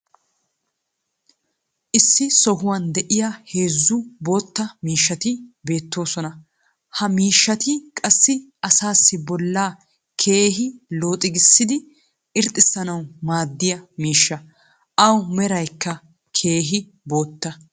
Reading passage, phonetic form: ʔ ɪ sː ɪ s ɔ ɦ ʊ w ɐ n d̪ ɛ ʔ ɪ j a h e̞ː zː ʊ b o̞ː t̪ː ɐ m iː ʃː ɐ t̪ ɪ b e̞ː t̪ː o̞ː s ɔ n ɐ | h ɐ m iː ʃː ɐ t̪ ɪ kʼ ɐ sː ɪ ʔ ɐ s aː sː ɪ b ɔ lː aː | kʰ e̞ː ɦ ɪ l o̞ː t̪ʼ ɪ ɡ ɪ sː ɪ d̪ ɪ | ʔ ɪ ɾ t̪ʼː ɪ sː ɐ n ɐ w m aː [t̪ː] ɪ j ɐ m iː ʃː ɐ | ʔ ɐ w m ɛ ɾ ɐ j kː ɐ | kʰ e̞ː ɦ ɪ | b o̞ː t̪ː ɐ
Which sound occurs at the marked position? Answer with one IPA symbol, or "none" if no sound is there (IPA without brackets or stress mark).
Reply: d̪ː